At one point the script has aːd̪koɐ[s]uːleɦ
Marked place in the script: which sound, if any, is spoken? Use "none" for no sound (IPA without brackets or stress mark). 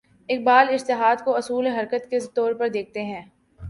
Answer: s